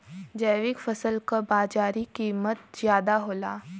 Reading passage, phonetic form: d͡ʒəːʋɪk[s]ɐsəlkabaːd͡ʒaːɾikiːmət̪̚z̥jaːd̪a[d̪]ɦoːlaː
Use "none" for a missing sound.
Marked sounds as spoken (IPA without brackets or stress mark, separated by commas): f, none